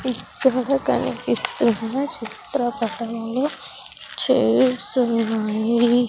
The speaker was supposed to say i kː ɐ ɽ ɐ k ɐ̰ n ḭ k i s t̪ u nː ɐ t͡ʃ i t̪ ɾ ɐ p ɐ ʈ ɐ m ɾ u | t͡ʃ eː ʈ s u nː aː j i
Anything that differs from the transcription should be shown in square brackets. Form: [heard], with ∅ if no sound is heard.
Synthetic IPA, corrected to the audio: i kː ɐ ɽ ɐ k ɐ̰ n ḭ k i s t̪ u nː ɐ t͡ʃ i t̪ ɾ ɐ p ɐ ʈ ɐ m [l] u | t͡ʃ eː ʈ s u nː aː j i